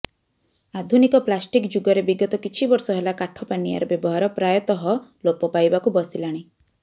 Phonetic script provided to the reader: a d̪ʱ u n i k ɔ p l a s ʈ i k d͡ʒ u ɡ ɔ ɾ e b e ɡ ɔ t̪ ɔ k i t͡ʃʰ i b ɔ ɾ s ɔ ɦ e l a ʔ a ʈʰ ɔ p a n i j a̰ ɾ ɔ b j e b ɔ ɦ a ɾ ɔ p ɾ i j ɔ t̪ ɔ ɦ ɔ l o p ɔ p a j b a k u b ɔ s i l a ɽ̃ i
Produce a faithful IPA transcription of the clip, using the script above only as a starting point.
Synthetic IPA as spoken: a d̪ʱ u n i k ɔ p l a s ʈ i k d͡ʒ u ɡ ɔ ɾ e b i ɡ ɔ t̪ ɔ k i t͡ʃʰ i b ɔ ɾ s ɔ ɦ e l a k a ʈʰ ɔ p a n i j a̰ ɾ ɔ b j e b ɔ ɦ a ɾ ɔ p ɾ a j ɔ t̪ ɔ ɦ ɔ l o p ɔ p a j b a k u b ɔ s i l a ɽ̃ i